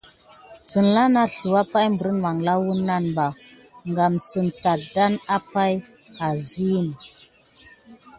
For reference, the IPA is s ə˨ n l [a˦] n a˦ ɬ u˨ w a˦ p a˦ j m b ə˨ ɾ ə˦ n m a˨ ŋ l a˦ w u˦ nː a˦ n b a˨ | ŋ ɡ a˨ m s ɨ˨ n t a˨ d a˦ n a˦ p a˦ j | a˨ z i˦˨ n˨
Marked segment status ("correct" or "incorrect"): correct